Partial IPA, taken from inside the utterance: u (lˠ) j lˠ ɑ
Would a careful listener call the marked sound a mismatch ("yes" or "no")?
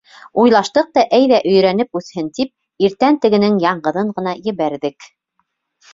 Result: yes